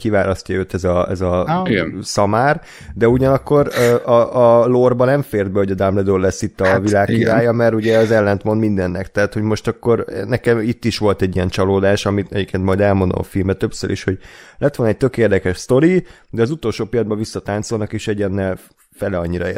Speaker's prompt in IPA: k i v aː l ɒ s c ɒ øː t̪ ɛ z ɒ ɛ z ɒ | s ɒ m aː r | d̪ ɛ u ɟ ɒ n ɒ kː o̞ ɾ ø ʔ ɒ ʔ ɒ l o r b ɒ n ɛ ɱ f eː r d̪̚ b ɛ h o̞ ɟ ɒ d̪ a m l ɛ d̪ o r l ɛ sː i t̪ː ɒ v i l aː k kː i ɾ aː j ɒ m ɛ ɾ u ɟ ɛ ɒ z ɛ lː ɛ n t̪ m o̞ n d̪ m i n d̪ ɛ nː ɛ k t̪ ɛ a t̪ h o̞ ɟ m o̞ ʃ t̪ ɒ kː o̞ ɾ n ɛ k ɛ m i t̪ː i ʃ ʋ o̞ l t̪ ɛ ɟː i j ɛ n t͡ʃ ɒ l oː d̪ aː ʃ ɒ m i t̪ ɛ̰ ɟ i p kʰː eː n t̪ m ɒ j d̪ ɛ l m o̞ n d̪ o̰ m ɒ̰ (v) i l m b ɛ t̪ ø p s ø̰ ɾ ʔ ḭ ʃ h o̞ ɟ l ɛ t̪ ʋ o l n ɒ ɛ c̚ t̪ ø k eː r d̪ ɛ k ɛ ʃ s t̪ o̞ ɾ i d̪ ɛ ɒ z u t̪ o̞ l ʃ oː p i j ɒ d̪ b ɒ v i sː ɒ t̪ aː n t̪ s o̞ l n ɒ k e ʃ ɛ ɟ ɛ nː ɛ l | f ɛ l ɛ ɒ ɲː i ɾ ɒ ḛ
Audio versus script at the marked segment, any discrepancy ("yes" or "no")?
yes